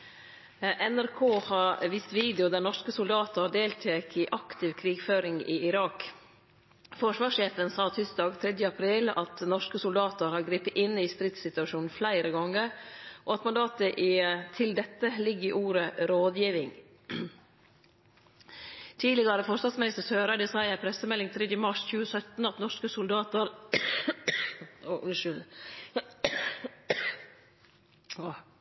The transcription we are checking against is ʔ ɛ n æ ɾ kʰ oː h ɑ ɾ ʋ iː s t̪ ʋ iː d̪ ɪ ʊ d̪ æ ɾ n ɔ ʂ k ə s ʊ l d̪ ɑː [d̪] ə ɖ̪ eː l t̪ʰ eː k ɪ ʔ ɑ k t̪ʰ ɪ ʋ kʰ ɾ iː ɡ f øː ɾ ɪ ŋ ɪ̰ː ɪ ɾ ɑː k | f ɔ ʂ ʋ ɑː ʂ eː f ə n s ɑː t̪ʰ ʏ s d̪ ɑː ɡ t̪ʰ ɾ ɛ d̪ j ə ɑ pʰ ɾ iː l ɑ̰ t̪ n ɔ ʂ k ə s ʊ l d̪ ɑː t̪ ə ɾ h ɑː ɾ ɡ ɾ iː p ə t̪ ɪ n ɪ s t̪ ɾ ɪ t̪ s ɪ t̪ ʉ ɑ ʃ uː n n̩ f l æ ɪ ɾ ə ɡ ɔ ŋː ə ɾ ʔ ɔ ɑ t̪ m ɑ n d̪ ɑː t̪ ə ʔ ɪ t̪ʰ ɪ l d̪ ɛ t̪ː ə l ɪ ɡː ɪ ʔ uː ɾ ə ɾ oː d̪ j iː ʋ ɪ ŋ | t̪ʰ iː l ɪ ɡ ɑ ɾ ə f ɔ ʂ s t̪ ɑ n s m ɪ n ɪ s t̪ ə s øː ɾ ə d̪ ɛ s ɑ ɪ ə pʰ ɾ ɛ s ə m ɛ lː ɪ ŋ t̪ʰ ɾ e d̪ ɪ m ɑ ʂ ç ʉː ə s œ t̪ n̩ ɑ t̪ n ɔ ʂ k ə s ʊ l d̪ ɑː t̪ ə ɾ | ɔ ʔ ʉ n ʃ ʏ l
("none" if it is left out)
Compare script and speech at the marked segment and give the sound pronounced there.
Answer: t̪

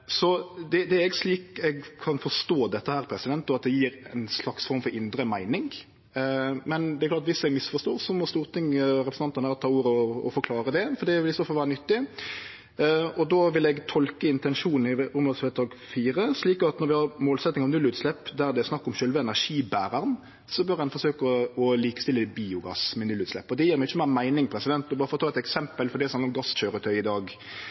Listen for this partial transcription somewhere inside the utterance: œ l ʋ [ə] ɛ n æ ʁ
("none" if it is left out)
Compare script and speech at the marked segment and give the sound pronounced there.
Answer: ə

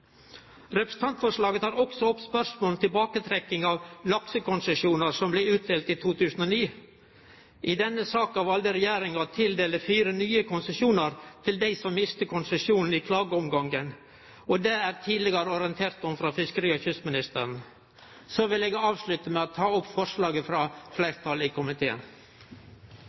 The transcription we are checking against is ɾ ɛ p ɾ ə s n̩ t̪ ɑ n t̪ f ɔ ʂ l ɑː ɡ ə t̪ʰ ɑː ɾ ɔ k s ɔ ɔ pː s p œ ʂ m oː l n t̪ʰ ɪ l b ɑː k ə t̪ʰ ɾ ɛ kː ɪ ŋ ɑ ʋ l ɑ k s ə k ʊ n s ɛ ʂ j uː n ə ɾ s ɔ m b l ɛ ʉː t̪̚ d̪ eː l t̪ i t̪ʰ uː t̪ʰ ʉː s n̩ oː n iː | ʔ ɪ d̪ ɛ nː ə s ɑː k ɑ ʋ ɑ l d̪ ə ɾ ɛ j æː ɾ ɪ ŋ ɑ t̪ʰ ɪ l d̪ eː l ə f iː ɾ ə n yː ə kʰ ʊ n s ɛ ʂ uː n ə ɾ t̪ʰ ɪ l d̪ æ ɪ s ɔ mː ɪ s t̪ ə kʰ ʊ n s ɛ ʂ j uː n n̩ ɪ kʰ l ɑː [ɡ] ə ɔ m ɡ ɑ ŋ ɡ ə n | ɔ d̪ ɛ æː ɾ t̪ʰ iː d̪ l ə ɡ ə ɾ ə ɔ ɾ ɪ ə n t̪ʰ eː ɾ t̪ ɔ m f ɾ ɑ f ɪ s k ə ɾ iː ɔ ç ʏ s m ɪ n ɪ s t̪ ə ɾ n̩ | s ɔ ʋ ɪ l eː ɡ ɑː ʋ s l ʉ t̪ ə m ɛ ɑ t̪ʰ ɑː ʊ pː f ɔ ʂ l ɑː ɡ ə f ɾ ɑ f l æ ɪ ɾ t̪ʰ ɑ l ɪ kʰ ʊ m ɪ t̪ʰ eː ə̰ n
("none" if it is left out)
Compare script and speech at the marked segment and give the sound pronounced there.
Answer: ɡ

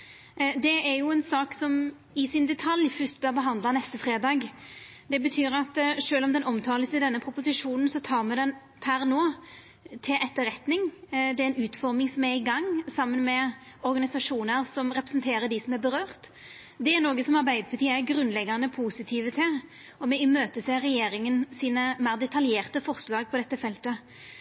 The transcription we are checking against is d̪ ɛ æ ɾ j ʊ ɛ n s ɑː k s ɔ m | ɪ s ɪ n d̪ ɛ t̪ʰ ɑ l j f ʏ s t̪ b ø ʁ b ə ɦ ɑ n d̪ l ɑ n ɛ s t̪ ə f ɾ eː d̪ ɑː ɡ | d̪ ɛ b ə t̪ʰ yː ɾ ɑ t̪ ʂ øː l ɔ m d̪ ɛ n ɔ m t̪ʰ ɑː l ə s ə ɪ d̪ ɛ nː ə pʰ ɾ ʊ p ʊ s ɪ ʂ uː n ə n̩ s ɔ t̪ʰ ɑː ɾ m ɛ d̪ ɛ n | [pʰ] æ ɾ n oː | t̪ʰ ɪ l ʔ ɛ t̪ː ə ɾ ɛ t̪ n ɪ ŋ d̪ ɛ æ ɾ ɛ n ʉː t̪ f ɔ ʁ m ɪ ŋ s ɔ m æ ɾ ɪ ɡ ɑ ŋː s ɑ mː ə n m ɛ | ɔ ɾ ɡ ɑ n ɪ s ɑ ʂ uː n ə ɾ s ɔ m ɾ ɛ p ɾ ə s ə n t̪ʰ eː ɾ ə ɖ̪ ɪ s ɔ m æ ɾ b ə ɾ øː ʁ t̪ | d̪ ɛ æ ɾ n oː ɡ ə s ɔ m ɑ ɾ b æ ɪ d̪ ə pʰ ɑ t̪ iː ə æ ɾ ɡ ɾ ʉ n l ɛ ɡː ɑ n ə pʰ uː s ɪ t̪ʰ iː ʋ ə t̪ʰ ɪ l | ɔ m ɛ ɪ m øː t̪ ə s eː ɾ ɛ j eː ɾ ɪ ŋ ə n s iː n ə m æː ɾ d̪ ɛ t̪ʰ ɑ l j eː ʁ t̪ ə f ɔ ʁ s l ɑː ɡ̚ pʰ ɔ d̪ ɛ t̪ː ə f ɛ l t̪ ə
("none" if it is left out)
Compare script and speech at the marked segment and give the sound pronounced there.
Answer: pʰ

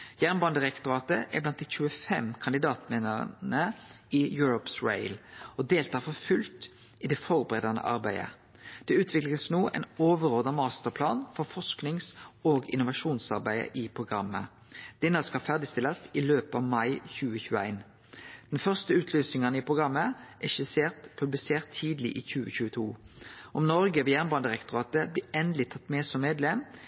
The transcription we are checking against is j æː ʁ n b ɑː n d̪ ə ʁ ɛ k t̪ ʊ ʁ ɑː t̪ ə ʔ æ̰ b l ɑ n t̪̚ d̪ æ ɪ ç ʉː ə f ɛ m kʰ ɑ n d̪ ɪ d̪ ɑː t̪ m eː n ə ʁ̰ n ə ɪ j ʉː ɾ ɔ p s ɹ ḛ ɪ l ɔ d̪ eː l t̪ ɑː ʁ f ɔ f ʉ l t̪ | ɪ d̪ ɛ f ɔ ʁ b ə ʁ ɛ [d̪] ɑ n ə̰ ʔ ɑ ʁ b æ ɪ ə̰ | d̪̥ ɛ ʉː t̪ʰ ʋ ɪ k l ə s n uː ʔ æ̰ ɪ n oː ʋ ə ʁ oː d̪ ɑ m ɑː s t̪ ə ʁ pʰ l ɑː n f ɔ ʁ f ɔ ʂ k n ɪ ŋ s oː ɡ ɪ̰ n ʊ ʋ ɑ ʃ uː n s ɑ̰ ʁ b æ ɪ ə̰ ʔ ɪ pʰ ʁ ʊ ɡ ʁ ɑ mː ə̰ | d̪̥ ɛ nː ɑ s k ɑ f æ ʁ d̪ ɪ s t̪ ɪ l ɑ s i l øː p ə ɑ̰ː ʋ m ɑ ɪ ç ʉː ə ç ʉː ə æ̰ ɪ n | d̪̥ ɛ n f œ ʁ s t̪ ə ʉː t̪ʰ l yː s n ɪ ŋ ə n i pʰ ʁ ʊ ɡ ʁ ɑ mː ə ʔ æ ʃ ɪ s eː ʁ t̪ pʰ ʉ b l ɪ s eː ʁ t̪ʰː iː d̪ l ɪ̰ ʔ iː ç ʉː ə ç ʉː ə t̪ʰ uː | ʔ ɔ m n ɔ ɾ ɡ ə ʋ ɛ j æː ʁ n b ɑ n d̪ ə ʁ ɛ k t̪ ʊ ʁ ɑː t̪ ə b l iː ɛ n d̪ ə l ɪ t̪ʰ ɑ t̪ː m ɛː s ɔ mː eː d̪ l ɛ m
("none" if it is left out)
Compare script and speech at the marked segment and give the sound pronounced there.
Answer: d̪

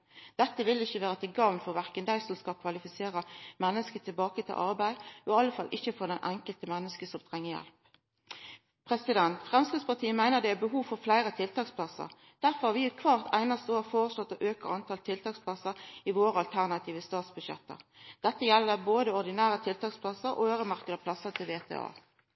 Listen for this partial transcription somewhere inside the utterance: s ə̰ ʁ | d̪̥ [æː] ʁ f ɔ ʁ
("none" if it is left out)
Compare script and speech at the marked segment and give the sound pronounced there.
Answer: æ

